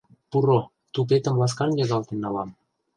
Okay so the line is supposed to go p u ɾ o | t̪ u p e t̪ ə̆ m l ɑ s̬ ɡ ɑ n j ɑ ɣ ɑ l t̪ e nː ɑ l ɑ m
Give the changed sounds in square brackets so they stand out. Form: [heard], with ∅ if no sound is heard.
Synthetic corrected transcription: p u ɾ o | t̪ u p e t̪ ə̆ m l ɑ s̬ [k] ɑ n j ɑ ɣ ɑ l t̪ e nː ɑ l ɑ m